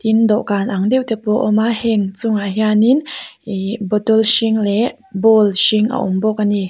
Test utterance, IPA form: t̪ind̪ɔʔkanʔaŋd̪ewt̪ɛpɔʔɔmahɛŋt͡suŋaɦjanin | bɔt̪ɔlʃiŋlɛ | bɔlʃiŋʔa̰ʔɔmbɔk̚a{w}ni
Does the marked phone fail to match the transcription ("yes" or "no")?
yes